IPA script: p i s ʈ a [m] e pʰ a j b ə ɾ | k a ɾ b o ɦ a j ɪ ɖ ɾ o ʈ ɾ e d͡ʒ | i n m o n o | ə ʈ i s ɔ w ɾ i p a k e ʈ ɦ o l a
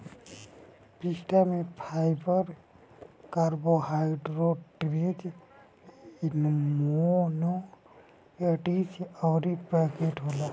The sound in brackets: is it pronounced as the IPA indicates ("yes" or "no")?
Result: yes